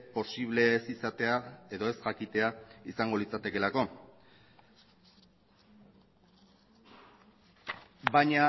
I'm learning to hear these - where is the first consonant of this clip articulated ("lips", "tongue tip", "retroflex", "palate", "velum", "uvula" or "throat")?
lips